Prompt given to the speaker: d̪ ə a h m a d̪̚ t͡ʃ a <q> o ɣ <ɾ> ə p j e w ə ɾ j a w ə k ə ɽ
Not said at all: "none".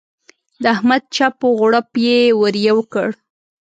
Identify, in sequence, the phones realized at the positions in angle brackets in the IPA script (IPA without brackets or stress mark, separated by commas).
p, ɽ